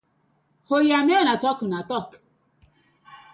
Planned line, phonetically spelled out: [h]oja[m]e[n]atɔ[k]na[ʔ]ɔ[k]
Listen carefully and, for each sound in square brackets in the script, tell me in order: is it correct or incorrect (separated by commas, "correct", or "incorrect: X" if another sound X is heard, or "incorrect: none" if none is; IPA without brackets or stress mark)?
correct, correct, correct, correct, incorrect: t, correct